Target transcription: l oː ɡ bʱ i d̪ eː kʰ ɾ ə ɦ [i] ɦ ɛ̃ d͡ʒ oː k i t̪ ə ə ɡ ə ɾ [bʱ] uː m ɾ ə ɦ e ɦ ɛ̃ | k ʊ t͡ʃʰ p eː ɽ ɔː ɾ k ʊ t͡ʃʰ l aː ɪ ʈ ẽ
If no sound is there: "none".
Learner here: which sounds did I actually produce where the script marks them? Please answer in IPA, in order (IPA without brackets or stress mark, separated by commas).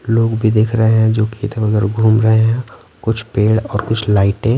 e, ɡʱ